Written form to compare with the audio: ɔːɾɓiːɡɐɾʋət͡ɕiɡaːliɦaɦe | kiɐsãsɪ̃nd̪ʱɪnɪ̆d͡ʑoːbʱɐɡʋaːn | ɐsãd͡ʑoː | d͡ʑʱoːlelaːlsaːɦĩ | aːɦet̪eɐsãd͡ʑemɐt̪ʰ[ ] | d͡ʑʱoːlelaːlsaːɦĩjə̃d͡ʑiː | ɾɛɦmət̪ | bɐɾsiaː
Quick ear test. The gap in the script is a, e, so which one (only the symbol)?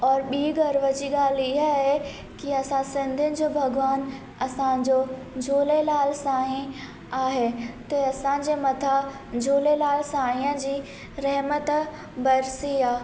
a